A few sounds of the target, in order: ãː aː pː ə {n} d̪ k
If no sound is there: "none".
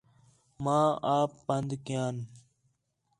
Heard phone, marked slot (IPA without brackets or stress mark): n